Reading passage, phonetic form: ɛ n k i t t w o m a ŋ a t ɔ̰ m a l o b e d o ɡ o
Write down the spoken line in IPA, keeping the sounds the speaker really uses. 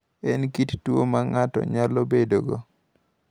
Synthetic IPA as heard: ɛ n k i t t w o m a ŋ a t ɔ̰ ɲ a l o b e d o ɡ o